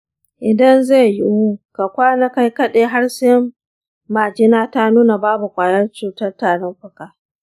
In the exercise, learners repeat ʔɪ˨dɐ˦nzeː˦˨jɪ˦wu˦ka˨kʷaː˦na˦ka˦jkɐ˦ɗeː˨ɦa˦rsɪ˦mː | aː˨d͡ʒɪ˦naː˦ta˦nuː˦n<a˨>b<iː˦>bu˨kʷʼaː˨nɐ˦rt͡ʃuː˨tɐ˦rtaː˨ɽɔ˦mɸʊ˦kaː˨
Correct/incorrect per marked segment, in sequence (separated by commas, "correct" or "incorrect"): correct, incorrect